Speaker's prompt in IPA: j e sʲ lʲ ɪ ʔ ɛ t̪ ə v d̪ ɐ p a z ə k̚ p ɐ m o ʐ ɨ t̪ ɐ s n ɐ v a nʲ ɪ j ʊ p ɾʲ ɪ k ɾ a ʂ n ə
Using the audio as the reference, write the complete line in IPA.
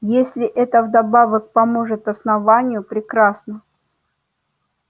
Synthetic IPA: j e sʲ lʲ ɪ ʔ ɛ t̪ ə v d̪ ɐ b a v ə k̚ p ɐ m o ʐ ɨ t̪ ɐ s n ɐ v a nʲ ɪ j ʊ p ɾʲ ɪ k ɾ a s n ə